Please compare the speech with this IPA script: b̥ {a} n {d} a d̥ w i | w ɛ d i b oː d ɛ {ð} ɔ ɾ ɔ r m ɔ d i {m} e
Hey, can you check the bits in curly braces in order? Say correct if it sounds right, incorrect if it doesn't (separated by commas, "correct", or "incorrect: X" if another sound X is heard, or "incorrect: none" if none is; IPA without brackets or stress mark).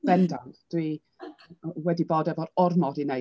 incorrect: ɛ, correct, incorrect: v, incorrect: n